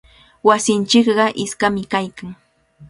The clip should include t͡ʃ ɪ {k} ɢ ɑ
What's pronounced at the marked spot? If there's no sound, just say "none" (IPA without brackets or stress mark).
k